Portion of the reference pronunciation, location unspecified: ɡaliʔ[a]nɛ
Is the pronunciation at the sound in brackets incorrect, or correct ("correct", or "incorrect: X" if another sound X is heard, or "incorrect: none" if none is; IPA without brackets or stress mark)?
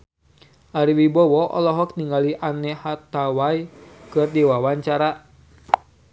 correct